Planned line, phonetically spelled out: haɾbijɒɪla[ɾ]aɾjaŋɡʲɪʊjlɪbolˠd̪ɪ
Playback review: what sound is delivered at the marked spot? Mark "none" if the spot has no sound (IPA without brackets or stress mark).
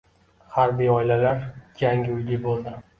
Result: l